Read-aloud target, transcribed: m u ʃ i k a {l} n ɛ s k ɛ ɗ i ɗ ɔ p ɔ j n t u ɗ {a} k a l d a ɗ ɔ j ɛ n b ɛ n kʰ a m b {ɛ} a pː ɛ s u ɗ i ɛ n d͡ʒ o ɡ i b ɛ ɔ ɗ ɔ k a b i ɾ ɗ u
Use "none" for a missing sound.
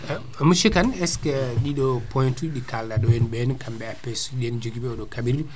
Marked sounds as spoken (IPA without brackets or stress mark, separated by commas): none, i, ɛ